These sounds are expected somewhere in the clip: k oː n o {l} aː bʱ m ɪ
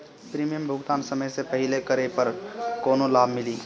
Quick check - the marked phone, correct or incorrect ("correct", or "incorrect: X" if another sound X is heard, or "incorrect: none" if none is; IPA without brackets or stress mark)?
correct